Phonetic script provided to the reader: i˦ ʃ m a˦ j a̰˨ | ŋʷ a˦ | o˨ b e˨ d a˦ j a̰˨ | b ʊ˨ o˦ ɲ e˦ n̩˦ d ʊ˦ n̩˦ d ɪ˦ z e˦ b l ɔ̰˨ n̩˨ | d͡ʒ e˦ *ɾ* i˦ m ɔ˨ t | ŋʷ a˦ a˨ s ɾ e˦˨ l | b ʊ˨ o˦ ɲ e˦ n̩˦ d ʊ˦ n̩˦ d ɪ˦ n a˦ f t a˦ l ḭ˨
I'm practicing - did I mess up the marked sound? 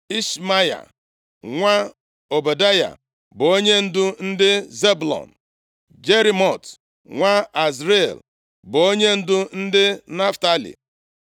no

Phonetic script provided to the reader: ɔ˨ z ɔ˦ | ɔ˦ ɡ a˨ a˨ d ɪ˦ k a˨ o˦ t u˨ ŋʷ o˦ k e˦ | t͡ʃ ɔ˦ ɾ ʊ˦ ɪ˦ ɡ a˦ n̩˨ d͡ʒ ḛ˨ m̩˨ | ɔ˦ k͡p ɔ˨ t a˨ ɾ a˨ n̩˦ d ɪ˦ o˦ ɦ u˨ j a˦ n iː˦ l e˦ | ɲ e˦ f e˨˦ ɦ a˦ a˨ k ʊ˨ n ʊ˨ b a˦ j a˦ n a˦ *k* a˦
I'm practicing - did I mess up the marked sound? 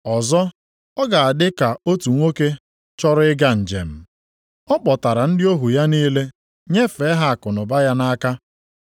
no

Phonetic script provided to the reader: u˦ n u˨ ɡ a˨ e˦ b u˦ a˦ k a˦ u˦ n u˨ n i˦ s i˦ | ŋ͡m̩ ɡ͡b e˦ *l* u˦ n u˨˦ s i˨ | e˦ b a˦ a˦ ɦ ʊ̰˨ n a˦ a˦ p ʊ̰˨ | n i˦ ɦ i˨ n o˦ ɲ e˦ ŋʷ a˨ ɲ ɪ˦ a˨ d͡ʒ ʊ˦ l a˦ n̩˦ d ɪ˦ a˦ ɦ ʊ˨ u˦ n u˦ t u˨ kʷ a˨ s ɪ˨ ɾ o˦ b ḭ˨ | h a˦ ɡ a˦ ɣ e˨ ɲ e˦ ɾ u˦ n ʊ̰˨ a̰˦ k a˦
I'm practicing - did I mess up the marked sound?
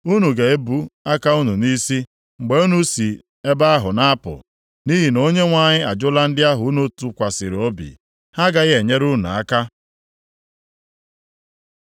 yes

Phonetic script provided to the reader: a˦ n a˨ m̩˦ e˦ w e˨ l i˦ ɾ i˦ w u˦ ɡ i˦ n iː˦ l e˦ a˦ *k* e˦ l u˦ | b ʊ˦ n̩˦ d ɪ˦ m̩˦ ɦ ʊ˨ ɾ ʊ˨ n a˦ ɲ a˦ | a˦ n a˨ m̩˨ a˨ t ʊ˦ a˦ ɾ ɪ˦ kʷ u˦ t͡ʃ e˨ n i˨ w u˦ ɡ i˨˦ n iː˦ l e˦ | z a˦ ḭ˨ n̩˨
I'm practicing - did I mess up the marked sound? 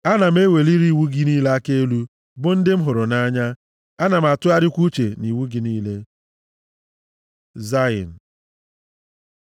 no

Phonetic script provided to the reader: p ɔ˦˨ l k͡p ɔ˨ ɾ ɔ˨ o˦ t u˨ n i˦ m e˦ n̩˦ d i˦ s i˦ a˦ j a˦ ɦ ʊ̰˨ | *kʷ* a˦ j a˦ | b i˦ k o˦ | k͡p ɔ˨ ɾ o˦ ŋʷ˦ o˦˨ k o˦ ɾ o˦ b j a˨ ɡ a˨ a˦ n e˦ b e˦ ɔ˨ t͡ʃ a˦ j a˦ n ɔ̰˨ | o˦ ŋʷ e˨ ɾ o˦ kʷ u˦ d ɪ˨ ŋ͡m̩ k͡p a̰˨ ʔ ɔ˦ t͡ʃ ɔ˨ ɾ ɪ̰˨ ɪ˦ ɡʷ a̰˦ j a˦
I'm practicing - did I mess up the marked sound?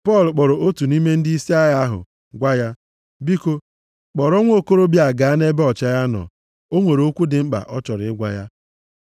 yes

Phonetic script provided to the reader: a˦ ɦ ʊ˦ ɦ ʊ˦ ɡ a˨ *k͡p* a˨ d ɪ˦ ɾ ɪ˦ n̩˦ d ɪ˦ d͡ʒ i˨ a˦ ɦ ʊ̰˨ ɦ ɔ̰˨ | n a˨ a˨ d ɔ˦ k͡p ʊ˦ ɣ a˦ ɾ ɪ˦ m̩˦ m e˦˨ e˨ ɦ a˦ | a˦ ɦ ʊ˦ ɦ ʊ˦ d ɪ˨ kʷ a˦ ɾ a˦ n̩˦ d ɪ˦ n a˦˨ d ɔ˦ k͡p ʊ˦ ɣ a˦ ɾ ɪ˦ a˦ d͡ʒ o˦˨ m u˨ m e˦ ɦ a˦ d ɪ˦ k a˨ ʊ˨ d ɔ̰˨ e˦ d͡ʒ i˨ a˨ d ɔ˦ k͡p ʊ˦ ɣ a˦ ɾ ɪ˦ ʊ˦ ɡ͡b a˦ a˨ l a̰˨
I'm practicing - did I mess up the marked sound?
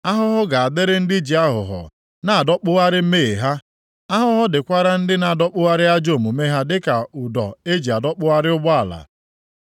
yes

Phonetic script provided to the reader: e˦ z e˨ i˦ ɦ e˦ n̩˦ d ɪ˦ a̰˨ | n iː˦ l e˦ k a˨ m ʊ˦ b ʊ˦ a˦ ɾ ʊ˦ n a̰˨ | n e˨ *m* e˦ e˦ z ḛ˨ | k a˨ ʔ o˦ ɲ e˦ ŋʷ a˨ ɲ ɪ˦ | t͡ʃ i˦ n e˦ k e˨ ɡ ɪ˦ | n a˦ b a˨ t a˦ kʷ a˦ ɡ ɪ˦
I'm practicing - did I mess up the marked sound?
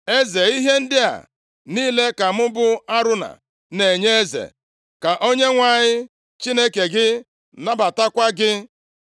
yes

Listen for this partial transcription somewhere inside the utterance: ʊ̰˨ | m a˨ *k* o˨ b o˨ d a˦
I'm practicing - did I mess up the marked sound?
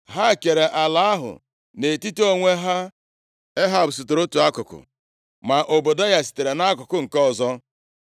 yes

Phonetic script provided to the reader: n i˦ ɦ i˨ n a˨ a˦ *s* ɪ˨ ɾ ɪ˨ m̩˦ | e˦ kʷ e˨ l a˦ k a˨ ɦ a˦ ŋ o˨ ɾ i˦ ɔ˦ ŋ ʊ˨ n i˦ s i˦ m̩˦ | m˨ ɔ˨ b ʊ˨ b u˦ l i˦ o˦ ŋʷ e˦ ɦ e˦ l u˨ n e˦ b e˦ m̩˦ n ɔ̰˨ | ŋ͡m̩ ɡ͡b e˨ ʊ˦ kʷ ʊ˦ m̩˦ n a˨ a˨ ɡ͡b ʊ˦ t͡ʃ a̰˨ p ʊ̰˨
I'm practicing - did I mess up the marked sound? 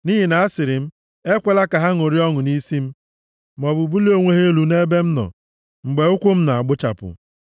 no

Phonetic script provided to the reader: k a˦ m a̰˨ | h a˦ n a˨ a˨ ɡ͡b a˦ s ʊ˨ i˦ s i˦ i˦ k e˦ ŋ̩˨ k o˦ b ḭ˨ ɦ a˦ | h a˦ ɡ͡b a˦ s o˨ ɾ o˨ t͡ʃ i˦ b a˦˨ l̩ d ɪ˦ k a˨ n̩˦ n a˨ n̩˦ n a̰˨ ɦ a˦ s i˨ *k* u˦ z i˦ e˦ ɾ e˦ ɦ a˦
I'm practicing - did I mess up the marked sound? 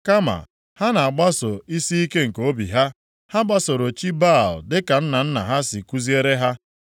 no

